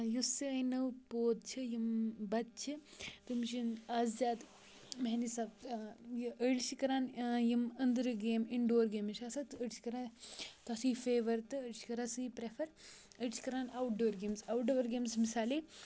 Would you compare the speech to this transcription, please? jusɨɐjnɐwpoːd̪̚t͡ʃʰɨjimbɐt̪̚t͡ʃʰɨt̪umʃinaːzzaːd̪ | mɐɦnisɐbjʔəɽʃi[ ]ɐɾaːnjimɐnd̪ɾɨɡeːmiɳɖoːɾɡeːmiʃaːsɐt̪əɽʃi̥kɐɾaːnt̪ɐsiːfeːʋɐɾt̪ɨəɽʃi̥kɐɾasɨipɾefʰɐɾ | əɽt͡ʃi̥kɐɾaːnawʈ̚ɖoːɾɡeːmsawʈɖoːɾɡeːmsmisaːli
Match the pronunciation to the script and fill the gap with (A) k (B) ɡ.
A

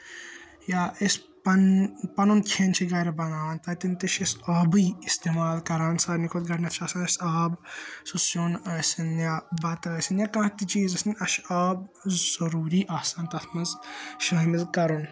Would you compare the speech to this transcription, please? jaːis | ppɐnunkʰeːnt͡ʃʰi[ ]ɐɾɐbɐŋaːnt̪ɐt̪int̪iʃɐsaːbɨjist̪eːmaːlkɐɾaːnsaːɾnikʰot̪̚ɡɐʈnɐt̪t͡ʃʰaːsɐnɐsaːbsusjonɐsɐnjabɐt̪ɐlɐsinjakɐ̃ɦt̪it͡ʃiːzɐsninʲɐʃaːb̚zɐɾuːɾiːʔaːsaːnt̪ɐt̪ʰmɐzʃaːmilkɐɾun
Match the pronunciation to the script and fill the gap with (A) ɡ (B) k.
A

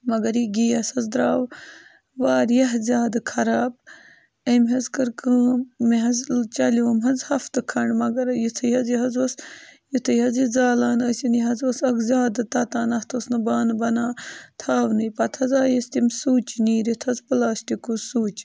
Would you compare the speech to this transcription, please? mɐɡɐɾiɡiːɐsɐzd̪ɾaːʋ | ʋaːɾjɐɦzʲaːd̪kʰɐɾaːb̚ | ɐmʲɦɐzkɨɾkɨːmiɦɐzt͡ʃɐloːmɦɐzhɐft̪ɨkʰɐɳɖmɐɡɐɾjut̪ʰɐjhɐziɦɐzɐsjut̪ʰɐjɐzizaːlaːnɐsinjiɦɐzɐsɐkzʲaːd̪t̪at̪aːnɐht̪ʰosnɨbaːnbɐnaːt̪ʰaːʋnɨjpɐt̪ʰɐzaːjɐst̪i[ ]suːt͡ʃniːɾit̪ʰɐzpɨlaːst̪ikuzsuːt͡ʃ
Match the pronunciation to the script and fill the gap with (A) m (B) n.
A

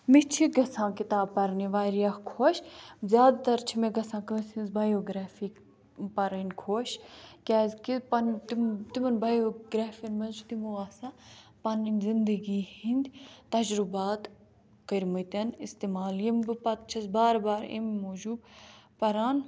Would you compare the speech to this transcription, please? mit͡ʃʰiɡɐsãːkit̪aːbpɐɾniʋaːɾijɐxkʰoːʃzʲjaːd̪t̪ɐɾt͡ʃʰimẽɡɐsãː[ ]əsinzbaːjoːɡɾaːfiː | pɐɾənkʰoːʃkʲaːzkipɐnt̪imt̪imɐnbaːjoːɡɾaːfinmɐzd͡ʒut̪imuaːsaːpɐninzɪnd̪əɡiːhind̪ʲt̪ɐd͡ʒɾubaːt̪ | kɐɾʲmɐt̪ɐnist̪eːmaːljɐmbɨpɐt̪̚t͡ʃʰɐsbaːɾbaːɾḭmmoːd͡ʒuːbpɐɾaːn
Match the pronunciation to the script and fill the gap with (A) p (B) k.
B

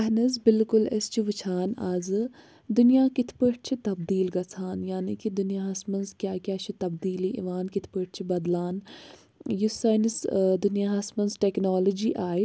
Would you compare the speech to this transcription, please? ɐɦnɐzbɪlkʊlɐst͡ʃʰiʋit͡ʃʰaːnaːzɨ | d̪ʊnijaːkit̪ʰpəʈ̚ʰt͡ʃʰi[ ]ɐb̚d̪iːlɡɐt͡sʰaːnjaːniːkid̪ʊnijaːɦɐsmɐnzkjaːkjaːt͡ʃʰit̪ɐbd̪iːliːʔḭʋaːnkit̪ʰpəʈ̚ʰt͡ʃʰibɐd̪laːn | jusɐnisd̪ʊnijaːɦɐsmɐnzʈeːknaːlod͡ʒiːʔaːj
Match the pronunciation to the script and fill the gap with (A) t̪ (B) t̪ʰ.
A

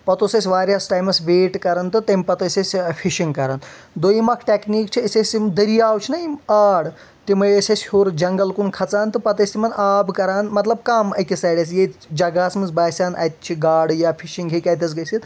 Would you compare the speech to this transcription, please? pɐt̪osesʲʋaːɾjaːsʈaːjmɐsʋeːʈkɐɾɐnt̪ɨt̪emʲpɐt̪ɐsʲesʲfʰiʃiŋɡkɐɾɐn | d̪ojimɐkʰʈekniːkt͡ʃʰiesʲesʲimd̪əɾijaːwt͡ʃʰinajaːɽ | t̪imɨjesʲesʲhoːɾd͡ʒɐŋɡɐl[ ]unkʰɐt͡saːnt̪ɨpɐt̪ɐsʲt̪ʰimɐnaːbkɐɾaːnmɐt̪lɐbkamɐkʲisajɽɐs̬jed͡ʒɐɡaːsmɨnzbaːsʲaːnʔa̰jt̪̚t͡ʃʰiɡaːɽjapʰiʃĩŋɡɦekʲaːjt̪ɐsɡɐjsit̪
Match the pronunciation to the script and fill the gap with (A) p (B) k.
B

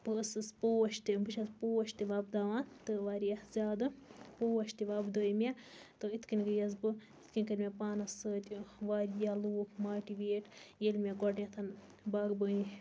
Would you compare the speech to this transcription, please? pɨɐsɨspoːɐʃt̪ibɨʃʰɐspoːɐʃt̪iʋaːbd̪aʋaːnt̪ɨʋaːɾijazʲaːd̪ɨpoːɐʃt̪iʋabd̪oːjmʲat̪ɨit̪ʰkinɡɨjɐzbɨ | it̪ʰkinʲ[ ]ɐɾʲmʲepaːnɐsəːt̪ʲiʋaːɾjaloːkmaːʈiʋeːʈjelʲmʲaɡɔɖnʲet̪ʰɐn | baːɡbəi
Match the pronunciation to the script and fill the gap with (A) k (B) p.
A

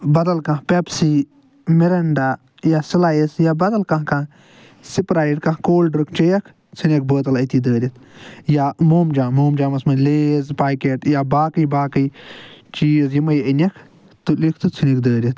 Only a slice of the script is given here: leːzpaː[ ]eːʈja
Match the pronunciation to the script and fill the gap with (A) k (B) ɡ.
A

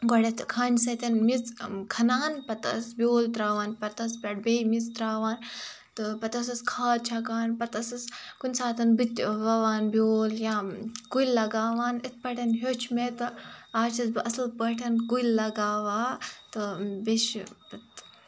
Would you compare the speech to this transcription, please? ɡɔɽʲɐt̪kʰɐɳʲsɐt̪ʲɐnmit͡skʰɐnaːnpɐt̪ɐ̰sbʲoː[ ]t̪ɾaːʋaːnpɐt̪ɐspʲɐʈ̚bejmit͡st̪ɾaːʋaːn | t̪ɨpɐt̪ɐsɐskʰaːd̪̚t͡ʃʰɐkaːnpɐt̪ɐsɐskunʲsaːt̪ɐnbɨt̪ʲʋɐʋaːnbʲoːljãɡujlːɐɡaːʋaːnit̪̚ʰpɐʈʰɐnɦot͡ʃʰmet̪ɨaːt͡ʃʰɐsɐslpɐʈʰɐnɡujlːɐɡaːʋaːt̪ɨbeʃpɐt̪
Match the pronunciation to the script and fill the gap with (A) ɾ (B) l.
B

